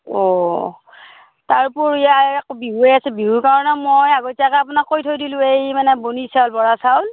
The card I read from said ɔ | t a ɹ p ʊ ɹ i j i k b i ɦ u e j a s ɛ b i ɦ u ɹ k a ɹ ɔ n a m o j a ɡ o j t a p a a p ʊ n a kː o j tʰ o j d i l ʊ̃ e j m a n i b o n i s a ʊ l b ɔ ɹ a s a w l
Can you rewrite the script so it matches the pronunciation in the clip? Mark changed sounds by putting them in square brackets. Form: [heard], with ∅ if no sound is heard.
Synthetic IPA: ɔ | t a ɹ p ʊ ɹ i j [a] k b i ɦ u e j a s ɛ b i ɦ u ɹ k a ɹ ɔ n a m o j a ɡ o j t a [k] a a p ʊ n a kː o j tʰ o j d i l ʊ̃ e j m a n [ɛ] b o n i s a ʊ l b ɔ ɹ a s a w l

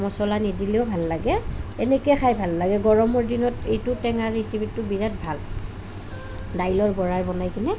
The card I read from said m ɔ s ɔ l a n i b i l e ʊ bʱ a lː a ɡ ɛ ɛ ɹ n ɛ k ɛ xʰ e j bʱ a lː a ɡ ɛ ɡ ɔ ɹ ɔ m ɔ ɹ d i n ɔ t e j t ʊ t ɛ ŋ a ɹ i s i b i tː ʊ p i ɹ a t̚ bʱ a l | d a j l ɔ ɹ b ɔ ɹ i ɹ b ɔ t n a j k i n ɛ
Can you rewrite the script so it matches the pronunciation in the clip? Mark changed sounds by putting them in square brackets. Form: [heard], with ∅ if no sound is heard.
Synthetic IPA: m ɔ s ɔ l a n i [d] i l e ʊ bʱ a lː a ɡ ɛ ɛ [∅] n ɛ k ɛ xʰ [a] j bʱ a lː a ɡ ɛ ɡ ɔ ɹ ɔ m ɔ ɹ d i n ɔ t e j t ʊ t ɛ ŋ a ɹ i s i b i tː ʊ [b] i ɹ a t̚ bʱ a l | d a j l ɔ ɹ b ɔ ɹ [a] ɹ b ɔ [∅] n a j k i n ɛ

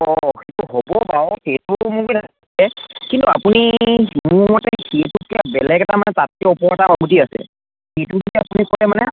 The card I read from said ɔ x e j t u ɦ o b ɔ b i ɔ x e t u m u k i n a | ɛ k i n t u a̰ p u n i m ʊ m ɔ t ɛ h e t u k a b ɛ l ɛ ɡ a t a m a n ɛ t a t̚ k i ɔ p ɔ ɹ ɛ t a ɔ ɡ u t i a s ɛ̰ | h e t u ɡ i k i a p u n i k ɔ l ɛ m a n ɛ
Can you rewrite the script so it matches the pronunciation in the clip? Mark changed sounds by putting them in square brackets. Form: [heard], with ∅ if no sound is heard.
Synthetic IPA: ɔ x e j t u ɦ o b ɔ b [a] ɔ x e t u m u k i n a | ɛ k i n t u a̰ p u n i m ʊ m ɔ t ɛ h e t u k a b ɛ l ɛ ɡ [ɛ] t a m a n ɛ t a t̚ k [ɛ] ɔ p ɔ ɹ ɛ t a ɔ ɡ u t i a s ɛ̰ | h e t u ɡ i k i a p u n i k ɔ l ɛ m a n ɛ

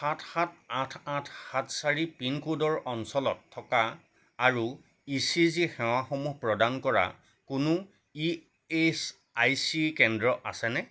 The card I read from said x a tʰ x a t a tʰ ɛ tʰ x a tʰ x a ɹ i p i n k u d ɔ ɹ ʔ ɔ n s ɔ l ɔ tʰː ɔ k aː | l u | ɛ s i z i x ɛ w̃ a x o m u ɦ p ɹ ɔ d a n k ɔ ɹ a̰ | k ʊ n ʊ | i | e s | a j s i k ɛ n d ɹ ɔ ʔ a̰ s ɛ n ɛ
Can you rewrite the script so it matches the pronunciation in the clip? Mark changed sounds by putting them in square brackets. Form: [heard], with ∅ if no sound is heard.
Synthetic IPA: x a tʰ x a t a tʰ [a] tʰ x a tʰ [s] a ɹ i p i n k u d ɔ ɹ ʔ ɔ n s ɔ l ɔ tʰː ɔ k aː | [ɹ] u | [i] s i z i x ɛ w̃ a x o m u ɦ p ɹ ɔ d a n k ɔ ɹ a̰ | k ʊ n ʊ | i | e s | a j s i k ɛ n d ɹ ɔ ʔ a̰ s ɛ n ɛ

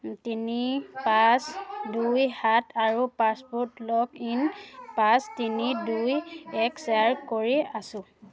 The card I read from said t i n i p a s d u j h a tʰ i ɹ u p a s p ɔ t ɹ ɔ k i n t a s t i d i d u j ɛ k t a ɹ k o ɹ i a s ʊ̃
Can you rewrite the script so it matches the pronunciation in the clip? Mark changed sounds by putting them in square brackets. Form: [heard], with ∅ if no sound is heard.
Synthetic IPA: t i n i p a s d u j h a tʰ [a] ɹ u p a s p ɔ t [l] ɔ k i n [p] a s t i [n] i d u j ɛ k [s] a ɹ k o ɹ i a s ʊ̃

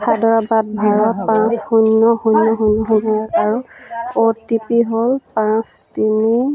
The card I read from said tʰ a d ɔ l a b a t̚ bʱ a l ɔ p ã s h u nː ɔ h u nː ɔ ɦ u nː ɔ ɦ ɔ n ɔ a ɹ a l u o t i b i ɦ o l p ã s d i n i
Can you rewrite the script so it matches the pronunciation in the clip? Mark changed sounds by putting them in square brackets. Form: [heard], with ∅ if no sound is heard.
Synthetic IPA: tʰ a d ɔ [ɹ] a b a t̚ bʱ a [ɹ] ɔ p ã s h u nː ɔ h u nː ɔ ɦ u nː ɔ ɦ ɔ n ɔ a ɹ a [ɹ] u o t i [p] i ɦ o l p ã s [t] i n i

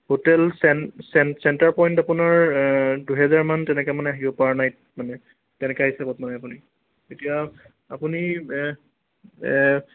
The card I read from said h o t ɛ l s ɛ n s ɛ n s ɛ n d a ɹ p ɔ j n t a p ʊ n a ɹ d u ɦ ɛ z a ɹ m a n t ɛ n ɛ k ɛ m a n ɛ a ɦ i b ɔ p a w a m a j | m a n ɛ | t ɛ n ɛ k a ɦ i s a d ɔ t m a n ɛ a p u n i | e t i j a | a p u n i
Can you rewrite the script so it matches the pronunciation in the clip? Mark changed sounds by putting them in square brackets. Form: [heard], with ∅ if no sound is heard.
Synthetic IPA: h o t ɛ l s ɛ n s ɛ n s ɛ n [t] a ɹ p ɔ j n t a p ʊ n a ɹ d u ɦ ɛ z a ɹ m a n t ɛ n ɛ k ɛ m a n ɛ a ɦ i b ɔ p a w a [n] a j | m a n ɛ | t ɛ n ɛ k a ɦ i s a [b] ɔ t m a n ɛ a p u n i | e t i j a | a p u n i

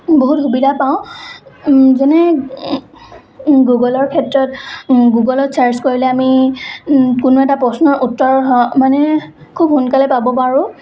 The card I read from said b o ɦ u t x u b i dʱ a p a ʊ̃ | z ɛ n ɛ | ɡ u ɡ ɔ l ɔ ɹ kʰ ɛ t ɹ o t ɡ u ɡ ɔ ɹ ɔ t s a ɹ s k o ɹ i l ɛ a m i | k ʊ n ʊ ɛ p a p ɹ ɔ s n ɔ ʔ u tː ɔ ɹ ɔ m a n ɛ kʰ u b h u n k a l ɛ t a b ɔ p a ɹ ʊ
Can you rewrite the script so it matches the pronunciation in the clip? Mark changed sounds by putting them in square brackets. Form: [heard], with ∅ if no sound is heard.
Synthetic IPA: b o ɦ u t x u b i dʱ a p a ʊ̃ | z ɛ n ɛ | ɡ u ɡ ɔ l ɔ ɹ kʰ ɛ t ɹ [ɔ] t ɡ u ɡ ɔ [l] ɔ t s a ɹ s k o ɹ i l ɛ a m i | k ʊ n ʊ ɛ [t] a p ɹ ɔ s n ɔ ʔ u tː ɔ ɹ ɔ m a n ɛ kʰ u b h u n k a l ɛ [p] a b ɔ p a ɹ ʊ

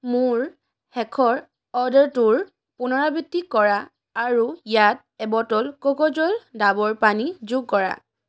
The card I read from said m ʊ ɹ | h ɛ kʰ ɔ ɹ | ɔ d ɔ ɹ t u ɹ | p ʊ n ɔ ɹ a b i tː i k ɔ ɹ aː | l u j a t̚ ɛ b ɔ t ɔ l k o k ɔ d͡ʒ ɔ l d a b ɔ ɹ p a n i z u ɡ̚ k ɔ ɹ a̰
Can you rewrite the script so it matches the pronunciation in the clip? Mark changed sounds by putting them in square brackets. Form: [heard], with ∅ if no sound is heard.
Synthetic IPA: m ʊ ɹ | h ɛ kʰ ɔ ɹ | ɔ d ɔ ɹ t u ɹ | p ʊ n ɔ ɹ a b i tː i k ɔ ɹ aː | [ɹ] u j a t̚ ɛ b ɔ t ɔ l k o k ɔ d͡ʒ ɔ l d a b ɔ ɹ p a n i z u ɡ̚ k ɔ ɹ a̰

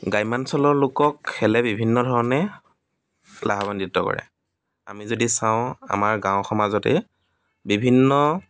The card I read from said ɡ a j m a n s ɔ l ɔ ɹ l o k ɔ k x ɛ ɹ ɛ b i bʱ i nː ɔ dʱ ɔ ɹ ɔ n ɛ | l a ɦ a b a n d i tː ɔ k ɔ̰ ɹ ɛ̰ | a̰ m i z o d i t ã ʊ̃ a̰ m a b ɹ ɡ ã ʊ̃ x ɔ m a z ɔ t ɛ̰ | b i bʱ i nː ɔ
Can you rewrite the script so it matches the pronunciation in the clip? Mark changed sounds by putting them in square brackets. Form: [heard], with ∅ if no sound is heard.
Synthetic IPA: ɡ a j m a n s ɔ l ɔ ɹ l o k ɔ k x ɛ [l] ɛ b i bʱ i nː ɔ dʱ ɔ ɹ ɔ n ɛ | l a ɦ a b a n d i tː ɔ k ɔ̰ ɹ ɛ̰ | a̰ m i z o d i [s] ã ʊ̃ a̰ m a [∅] ɹ ɡ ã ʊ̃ x ɔ m a z ɔ t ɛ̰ | b i bʱ i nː ɔ

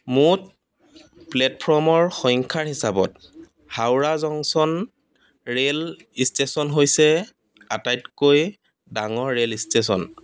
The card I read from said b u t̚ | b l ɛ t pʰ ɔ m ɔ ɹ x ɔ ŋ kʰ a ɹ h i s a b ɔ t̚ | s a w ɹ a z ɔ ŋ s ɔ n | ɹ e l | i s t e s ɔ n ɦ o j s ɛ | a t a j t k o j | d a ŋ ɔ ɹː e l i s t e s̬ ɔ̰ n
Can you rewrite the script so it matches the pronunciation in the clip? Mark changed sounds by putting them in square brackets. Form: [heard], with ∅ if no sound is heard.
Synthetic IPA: [m] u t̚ | [p] l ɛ t pʰ ɔ m ɔ ɹ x ɔ ŋ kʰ a ɹ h i s a b ɔ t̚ | [h] a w ɹ a z ɔ ŋ s ɔ n | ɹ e l | i s t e s ɔ n ɦ o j s ɛ | a t a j t k o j | d a ŋ ɔ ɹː e l i s t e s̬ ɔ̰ n

